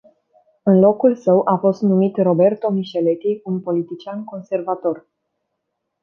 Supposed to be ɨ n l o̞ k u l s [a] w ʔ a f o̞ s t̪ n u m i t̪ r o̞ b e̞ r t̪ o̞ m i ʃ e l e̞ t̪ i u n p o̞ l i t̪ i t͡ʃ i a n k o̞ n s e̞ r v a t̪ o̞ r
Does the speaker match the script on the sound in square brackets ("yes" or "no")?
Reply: no